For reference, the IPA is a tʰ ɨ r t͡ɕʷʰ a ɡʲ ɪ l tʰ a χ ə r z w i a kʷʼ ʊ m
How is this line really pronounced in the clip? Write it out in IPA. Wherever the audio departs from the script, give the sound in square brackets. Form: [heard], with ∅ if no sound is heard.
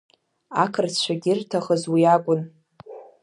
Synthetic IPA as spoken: a [kʰ] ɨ r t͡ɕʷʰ a ɡʲ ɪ [r] tʰ a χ ə [∅] z w i a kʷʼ ʊ [n]